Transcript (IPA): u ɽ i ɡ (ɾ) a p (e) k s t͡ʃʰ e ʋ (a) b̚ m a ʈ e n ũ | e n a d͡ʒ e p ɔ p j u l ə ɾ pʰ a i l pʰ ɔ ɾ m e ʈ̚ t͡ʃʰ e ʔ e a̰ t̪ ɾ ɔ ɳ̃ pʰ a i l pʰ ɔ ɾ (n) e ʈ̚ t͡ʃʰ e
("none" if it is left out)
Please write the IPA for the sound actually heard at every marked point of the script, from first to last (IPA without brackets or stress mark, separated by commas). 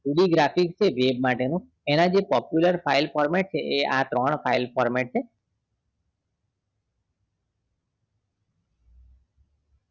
ɾ, i, e, m